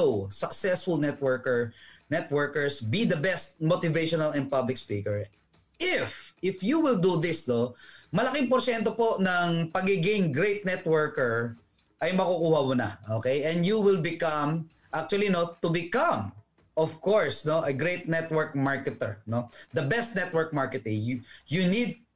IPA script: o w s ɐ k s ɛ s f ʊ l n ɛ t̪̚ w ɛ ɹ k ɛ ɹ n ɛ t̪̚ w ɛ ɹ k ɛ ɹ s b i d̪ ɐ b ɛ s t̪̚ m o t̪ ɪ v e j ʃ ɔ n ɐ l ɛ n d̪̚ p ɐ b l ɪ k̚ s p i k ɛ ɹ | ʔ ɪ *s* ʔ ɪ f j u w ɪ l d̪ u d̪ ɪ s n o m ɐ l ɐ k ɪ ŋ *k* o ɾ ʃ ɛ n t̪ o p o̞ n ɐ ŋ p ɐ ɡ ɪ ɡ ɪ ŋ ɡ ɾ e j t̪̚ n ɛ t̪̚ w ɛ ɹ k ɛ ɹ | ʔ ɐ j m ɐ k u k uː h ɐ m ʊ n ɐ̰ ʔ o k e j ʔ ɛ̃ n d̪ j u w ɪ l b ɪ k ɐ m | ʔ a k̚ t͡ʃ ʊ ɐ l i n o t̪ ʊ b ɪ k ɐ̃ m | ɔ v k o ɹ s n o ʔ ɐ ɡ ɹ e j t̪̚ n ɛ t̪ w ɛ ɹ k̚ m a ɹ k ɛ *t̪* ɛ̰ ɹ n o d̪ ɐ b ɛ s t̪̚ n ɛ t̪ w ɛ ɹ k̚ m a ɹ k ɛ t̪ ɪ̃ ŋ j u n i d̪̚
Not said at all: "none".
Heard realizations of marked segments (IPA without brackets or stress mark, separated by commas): f, p, t̪